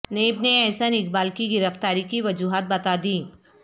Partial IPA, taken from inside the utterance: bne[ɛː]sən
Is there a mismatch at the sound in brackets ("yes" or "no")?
no